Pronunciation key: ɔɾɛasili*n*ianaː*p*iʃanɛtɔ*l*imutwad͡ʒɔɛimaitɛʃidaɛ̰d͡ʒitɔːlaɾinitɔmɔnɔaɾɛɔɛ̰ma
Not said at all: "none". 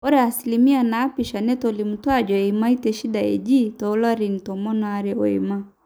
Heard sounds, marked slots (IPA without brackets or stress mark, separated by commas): m, p, l